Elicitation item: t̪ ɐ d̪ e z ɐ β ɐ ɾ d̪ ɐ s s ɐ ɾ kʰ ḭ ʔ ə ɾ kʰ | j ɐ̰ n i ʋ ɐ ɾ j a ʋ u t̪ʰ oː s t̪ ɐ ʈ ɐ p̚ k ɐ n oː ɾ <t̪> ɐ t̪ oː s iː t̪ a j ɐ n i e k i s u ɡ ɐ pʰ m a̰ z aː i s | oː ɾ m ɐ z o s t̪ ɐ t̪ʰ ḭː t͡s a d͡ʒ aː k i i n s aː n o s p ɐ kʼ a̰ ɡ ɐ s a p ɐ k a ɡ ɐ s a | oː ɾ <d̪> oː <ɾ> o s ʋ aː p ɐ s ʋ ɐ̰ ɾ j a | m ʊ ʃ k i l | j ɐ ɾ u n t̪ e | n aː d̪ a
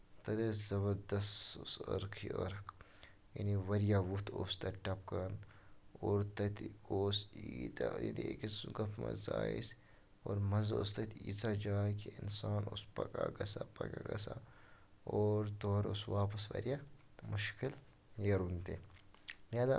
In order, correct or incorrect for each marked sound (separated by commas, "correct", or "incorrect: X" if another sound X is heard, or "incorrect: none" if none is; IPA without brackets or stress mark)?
correct, incorrect: t̪, correct